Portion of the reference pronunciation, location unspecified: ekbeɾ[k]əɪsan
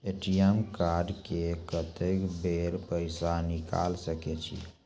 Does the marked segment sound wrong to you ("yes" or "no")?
yes